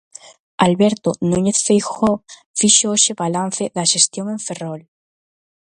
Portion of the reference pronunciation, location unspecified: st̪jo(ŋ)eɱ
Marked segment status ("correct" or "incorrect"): correct